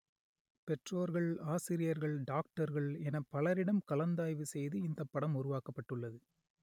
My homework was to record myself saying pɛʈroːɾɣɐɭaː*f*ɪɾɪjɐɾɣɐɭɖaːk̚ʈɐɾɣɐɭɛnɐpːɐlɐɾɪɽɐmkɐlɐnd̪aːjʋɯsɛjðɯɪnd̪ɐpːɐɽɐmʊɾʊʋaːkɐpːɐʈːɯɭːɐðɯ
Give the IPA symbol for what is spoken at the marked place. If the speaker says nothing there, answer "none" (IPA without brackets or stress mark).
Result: s